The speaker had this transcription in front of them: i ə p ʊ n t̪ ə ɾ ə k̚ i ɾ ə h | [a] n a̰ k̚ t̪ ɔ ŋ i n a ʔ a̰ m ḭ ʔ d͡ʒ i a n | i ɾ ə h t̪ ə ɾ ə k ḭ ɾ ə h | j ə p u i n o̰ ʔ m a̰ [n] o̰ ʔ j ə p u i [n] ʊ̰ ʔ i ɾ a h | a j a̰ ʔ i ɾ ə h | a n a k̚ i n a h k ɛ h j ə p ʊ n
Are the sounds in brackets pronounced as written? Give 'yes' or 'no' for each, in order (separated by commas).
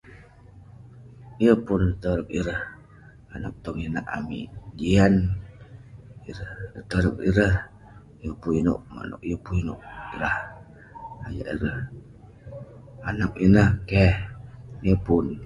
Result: yes, yes, yes